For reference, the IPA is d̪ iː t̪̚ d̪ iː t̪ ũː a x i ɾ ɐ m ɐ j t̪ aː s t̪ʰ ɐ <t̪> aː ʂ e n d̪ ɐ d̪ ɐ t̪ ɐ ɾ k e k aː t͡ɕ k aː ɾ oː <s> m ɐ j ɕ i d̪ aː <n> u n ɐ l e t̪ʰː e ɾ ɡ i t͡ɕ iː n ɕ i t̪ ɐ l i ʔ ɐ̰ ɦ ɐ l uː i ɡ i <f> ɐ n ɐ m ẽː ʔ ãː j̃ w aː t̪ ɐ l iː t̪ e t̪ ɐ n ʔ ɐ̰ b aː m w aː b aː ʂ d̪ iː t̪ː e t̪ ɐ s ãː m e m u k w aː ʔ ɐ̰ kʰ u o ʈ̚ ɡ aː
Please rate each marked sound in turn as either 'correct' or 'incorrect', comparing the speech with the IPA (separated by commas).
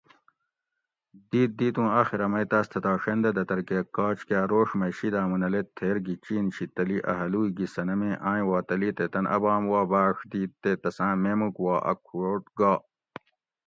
correct, incorrect, incorrect, incorrect